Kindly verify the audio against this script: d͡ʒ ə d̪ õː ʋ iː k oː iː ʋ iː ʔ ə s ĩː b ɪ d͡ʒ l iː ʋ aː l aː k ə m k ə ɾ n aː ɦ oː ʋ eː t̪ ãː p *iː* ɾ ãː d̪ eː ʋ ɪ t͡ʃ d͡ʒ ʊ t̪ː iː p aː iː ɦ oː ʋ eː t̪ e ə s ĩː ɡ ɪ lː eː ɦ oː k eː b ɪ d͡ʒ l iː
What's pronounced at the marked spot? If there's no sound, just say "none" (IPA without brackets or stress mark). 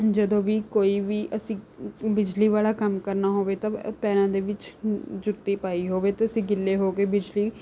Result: ɛː